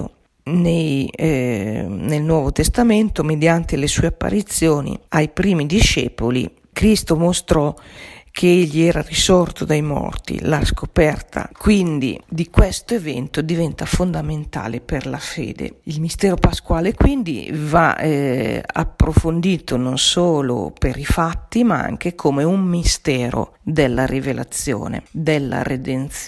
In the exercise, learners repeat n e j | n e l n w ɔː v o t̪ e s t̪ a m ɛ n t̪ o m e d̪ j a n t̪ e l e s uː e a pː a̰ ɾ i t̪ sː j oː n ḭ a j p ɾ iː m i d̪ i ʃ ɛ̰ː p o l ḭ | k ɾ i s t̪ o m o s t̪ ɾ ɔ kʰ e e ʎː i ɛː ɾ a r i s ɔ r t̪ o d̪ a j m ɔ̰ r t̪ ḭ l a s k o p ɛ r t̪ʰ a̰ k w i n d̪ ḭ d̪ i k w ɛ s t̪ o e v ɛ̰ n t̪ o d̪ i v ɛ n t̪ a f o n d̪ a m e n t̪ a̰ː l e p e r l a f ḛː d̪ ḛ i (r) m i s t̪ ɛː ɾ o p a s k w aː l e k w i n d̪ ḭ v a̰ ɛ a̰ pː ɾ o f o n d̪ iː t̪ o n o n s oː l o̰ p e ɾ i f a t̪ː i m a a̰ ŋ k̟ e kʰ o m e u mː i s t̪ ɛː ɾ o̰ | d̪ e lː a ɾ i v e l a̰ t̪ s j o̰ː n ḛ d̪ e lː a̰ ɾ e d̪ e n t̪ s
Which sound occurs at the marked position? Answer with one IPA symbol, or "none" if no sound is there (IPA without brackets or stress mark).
l